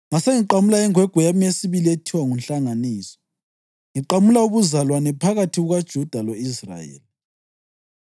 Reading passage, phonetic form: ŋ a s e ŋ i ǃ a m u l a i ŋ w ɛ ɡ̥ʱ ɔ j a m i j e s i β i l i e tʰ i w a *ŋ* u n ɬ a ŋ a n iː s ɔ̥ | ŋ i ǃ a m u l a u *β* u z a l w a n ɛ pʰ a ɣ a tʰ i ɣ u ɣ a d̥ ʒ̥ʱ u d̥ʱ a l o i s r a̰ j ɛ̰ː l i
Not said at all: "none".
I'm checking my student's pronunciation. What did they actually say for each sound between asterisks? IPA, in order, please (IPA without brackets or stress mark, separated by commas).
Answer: ŋ, β